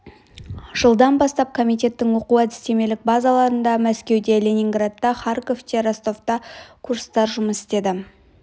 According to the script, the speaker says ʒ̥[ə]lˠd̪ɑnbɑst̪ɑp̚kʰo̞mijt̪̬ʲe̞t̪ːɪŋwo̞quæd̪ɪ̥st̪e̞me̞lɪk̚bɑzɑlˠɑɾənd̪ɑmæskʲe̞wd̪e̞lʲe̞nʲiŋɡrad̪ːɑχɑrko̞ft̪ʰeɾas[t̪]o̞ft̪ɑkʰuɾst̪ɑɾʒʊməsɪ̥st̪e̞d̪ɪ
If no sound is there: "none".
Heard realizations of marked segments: ə, t̪

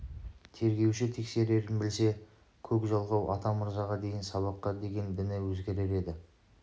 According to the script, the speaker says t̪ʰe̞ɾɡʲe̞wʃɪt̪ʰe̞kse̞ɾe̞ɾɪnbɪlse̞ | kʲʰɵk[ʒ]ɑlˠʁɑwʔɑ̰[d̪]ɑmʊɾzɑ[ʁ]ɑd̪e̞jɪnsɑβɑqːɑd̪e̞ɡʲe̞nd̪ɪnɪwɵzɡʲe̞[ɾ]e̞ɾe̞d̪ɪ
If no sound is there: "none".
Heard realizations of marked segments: ʒ, t̪, ʁ, ɾ

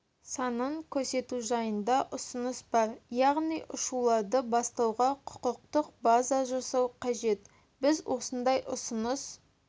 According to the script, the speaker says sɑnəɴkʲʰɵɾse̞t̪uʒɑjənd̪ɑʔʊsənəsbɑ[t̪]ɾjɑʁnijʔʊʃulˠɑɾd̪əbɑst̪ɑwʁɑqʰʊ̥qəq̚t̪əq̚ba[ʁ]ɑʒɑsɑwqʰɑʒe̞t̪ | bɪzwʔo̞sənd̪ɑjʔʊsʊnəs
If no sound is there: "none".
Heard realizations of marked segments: none, z

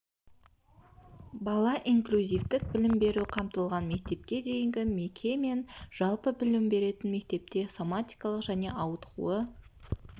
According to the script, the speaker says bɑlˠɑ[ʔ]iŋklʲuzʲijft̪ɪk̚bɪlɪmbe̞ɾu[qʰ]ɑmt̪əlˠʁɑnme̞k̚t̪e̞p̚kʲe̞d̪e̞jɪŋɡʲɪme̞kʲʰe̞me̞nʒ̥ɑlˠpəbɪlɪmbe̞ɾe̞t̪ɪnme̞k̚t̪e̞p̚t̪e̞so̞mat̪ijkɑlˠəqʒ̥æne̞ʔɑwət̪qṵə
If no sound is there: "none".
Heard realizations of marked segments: ʔ, qʰ

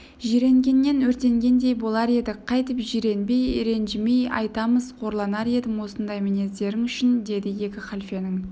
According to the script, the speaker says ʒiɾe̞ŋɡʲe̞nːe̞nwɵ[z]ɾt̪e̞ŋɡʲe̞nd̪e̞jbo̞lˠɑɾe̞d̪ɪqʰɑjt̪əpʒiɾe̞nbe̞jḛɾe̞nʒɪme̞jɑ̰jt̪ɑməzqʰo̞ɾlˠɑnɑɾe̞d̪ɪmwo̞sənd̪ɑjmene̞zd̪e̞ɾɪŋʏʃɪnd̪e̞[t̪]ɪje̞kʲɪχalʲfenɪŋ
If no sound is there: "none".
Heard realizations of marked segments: none, d̪

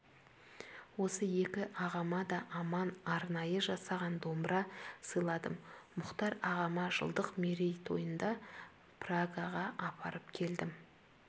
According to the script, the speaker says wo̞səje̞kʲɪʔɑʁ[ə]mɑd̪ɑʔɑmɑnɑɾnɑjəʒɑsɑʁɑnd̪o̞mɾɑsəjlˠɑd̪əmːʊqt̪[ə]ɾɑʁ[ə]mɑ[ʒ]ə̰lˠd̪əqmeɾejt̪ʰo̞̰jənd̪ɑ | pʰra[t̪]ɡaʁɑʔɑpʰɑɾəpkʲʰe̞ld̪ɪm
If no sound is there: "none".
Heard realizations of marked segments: ɑ, ɑ, ɑ, ʒ, none

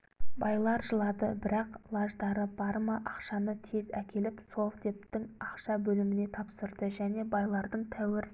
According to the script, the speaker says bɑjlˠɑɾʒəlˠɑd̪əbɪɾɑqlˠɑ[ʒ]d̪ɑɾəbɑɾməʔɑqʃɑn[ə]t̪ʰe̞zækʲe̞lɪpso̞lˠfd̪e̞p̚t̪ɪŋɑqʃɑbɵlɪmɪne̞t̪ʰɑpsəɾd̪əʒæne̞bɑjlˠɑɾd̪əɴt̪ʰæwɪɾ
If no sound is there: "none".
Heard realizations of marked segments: ʒ, ə

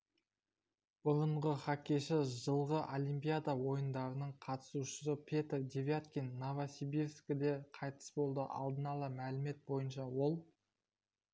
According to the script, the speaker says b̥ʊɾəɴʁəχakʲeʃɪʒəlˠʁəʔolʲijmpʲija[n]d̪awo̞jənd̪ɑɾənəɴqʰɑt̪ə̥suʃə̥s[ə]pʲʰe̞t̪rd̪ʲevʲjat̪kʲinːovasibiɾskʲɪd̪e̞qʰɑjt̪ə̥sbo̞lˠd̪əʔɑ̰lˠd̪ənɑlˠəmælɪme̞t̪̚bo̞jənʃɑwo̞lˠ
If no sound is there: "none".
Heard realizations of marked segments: none, ə

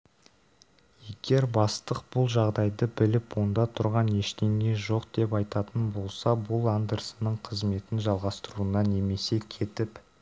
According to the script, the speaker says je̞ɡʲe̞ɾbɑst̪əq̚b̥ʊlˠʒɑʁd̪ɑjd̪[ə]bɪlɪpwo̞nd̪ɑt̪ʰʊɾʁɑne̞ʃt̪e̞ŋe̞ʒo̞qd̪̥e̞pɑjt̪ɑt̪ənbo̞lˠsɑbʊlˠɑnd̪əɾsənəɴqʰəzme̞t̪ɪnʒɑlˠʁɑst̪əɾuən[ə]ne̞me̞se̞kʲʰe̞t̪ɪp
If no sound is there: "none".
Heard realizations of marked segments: ə, ɑ

